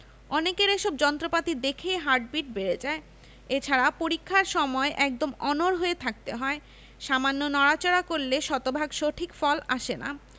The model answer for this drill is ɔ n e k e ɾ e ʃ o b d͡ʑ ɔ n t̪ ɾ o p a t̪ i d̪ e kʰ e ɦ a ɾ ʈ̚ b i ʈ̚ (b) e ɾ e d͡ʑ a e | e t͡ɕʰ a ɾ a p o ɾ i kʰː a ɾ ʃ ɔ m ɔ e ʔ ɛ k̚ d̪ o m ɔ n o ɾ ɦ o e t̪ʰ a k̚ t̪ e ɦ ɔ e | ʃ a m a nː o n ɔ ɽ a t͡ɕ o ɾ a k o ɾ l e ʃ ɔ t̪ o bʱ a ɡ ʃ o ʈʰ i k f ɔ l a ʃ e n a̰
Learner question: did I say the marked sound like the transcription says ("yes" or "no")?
yes